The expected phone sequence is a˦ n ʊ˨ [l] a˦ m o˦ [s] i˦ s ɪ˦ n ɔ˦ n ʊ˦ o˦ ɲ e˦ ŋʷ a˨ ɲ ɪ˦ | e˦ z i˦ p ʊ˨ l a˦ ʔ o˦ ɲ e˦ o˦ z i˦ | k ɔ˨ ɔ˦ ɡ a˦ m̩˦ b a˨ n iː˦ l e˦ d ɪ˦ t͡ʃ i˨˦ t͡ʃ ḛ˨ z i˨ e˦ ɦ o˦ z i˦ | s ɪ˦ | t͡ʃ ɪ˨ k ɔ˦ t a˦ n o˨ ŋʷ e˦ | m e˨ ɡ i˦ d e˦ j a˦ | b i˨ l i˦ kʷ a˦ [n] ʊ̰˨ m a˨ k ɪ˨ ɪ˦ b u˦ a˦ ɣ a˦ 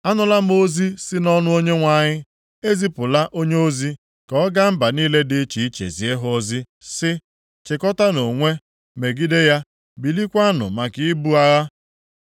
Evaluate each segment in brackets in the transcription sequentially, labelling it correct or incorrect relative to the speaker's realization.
correct, incorrect: z, correct

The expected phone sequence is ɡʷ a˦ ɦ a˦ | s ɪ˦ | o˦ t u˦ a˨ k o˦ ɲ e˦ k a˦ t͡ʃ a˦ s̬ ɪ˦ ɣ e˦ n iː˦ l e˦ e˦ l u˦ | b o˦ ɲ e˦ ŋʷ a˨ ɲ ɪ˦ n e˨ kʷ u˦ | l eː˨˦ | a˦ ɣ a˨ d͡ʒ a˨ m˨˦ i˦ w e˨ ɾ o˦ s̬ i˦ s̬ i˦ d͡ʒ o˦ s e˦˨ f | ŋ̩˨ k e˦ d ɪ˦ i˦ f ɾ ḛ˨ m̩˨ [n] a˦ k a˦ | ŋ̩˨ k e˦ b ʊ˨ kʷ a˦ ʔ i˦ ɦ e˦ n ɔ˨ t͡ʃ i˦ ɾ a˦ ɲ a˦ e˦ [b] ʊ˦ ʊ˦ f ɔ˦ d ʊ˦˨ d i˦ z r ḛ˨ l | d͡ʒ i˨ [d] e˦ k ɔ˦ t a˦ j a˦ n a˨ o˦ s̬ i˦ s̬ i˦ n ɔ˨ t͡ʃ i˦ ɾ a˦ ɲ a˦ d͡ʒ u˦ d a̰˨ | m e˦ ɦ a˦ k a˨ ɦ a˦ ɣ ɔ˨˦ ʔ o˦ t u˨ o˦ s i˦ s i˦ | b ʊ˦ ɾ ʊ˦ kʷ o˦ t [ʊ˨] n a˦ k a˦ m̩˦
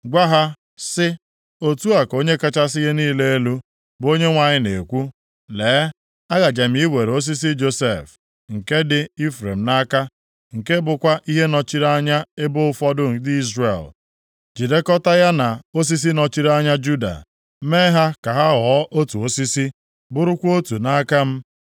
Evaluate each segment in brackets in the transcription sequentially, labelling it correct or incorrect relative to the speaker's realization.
correct, correct, correct, incorrect: u˨

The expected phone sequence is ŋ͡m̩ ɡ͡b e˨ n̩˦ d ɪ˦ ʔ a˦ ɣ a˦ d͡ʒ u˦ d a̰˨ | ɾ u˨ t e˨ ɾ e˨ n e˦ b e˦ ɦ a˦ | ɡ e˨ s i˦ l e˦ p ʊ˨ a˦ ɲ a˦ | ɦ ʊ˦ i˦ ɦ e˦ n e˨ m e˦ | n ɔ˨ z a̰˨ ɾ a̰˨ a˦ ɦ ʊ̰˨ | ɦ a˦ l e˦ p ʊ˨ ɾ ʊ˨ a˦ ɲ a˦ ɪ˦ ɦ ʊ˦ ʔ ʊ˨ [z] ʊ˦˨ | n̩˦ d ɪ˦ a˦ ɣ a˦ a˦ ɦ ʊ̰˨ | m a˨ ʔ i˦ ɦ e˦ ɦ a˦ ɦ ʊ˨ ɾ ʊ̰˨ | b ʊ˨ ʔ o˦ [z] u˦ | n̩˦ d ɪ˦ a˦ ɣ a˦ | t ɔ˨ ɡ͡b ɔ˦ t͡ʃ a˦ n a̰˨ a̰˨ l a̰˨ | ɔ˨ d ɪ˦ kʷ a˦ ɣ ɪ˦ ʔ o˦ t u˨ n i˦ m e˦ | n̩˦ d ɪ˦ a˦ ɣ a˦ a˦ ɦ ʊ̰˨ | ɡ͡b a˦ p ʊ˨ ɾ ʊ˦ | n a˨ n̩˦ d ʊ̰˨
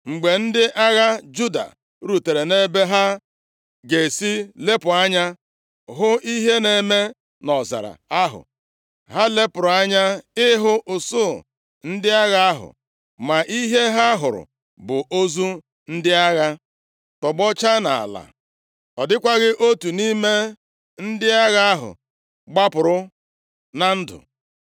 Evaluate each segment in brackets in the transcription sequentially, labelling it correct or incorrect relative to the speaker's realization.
incorrect: s, correct

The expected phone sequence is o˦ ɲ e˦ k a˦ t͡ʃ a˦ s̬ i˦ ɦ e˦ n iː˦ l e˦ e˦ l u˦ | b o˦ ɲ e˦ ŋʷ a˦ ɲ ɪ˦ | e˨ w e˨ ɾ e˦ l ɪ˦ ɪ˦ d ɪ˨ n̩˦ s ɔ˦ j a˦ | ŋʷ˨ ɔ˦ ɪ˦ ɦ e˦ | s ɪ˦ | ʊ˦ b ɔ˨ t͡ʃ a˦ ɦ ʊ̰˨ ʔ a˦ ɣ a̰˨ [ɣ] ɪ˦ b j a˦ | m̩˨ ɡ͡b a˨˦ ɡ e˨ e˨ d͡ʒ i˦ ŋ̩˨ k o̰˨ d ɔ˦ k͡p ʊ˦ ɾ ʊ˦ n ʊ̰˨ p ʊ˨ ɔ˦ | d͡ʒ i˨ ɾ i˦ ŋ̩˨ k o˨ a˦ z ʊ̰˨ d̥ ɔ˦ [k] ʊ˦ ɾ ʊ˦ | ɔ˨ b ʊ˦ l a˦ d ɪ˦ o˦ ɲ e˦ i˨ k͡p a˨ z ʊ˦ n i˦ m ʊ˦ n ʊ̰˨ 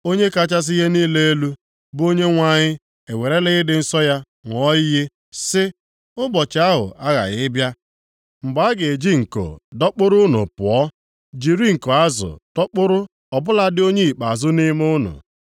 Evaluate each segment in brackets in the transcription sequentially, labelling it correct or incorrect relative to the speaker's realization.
correct, incorrect: k͡p

